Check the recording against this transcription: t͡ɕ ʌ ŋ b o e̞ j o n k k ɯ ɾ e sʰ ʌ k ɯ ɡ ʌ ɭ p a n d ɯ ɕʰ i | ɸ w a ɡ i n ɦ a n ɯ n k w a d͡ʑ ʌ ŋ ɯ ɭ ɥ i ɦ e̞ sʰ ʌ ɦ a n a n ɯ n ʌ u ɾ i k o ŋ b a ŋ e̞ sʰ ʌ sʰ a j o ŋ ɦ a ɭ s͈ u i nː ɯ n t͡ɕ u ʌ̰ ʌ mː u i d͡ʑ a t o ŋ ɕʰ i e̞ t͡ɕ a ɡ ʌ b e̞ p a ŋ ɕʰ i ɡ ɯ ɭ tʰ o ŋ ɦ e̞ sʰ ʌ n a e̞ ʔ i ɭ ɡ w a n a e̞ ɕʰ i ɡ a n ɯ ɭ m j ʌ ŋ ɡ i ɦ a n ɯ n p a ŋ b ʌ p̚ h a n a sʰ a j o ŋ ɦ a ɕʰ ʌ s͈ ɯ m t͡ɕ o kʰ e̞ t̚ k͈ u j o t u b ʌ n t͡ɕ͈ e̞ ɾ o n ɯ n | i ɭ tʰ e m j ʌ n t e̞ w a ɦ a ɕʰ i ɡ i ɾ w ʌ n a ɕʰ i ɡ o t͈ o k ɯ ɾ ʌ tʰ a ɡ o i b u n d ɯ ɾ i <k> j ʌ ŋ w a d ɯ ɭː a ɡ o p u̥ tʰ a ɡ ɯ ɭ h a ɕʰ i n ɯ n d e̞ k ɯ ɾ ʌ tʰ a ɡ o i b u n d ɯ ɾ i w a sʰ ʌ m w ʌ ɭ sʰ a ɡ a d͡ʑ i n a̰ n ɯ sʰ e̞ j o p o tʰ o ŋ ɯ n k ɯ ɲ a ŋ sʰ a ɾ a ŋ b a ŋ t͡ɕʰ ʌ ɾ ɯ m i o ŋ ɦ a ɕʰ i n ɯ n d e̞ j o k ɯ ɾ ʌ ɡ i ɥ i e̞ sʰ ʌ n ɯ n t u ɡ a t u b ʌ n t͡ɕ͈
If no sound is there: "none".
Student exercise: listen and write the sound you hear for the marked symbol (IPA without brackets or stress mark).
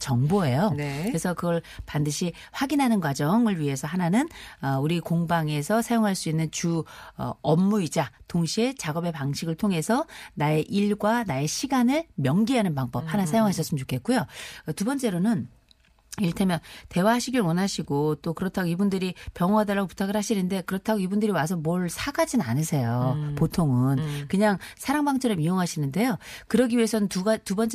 p